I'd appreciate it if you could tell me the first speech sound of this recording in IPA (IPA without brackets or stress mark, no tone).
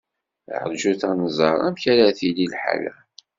ʕ